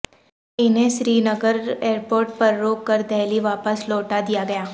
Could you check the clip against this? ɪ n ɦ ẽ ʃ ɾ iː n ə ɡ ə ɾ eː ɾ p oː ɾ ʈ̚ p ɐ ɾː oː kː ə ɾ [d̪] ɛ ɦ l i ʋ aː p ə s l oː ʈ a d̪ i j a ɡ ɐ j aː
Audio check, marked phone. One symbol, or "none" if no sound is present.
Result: d̪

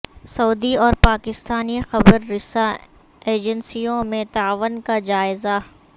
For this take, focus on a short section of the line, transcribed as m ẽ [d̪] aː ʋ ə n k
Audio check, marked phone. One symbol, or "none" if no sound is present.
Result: t̪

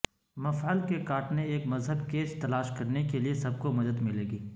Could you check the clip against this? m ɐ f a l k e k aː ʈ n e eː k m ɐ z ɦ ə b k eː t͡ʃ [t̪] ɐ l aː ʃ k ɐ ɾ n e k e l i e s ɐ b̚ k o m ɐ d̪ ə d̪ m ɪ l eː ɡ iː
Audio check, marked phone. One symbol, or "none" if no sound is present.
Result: t̪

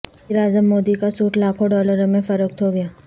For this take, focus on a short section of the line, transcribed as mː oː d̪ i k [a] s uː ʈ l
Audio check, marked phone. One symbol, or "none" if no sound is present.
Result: a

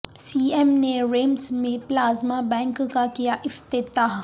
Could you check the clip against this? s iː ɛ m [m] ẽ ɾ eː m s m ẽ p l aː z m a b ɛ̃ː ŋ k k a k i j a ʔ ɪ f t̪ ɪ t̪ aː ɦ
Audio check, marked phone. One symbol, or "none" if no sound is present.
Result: n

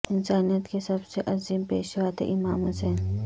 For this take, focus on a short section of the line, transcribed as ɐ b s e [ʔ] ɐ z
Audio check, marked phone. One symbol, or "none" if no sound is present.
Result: ʔ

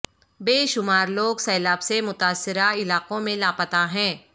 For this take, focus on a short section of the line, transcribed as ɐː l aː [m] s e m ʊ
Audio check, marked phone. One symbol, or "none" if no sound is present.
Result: b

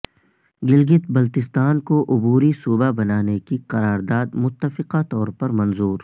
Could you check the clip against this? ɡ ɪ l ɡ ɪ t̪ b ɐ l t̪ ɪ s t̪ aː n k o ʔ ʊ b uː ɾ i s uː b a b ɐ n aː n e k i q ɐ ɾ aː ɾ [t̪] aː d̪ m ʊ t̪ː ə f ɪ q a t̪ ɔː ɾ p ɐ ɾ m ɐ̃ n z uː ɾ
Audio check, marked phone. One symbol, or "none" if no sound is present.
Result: d̪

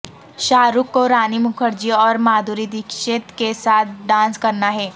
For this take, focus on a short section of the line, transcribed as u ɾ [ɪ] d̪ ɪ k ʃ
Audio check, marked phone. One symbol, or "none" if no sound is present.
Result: i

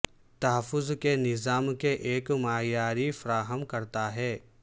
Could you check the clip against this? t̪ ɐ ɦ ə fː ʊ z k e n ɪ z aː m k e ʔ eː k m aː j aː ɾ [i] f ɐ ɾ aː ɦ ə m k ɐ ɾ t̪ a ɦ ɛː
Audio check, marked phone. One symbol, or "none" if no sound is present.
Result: i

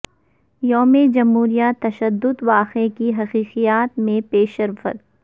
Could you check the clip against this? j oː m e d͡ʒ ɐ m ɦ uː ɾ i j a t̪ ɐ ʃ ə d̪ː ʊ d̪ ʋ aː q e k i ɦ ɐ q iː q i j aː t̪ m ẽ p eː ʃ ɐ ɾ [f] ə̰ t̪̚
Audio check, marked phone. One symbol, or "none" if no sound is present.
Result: f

